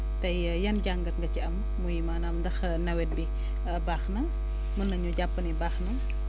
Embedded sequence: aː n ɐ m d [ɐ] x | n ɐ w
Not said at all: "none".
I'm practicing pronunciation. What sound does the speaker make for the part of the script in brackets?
ɐ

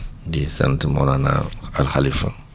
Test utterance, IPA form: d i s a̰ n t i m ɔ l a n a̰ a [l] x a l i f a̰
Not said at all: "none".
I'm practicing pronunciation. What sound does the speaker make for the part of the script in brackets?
l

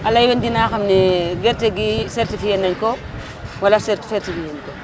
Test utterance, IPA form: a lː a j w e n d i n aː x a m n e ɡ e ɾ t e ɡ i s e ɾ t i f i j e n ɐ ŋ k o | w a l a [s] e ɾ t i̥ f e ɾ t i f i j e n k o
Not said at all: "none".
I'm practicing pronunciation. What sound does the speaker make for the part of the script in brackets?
s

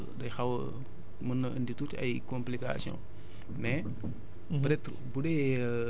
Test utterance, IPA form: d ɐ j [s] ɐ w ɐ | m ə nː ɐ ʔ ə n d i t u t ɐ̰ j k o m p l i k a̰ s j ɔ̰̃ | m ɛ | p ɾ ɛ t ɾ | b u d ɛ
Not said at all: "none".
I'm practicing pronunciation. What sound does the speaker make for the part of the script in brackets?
x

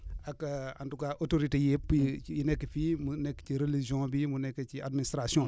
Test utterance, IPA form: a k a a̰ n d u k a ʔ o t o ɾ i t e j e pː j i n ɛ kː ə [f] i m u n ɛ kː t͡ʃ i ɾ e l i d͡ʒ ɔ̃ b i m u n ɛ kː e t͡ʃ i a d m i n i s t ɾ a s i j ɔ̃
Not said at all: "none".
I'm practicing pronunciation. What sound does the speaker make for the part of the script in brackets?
f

